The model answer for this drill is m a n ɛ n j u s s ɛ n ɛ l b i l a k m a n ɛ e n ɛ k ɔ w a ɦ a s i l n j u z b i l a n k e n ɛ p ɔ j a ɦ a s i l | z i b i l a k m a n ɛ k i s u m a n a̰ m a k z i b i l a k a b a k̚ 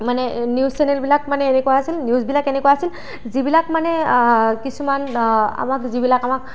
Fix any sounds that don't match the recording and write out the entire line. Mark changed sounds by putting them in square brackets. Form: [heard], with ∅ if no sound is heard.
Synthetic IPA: m a n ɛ n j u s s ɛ n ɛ l b i l a k m a n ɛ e n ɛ k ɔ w a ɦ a s i l n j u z b i l a [∅] k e n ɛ [k] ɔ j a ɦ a s i l | z i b i l a k m a n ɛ k i s u m a n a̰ m a k z i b i l a k a [m] a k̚